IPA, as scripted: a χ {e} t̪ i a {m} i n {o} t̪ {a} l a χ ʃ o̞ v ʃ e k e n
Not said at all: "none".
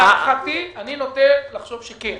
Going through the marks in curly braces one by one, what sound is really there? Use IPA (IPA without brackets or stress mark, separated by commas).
a, n, o, e